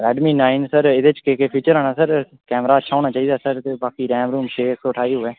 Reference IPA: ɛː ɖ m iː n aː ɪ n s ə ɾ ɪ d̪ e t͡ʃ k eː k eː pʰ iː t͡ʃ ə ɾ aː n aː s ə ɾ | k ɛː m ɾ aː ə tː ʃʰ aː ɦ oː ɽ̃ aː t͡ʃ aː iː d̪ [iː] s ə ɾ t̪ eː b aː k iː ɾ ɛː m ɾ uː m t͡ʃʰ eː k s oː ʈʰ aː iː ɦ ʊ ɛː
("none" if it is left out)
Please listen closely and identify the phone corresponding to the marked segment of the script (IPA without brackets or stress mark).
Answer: aː